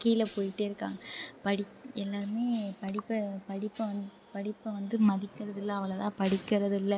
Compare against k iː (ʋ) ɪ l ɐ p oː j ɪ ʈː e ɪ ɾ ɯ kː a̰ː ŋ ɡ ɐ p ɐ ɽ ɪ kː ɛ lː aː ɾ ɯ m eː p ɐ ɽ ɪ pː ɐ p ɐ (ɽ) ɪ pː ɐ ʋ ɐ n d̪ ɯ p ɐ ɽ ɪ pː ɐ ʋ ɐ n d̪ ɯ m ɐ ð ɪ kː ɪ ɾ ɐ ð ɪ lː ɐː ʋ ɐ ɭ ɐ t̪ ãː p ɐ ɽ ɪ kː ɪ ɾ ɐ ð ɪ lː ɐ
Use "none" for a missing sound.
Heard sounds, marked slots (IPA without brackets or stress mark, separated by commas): none, ɽ